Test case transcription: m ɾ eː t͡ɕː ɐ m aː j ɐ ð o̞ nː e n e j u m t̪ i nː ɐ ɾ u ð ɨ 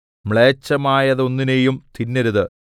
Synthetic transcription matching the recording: m ɭ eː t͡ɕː ɐ m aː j ɐ ð o̞ nː i n e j u m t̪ i nː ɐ ɾ u ð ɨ